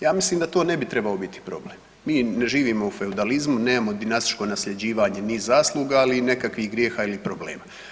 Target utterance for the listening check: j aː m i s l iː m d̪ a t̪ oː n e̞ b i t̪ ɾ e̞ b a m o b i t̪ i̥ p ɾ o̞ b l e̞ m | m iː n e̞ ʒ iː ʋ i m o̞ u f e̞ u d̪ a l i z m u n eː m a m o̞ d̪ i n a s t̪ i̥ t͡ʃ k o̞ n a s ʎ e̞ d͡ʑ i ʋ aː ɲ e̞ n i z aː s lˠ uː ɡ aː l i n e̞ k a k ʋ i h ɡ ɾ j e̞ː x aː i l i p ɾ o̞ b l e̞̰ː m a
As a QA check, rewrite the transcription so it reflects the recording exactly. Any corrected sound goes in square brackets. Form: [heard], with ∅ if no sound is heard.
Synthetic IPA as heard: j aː m i s l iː m d̪ a t̪ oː n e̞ b i t̪ ɾ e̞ b a [∅] o b i t̪ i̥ p ɾ o̞ b l e̞ m | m iː n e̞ ʒ iː ʋ i m o̞ u f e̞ u d̪ a l i z m u n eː m a m o̞ d̪ i n a s t̪ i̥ t͡ʃ k o̞ n a s ʎ e̞ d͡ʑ [iː] ʋ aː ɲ e̞ n i z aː s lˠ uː ɡ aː l i n e̞ k a k ʋ i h ɡ ɾ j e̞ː x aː i l i p ɾ o̞ b l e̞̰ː m a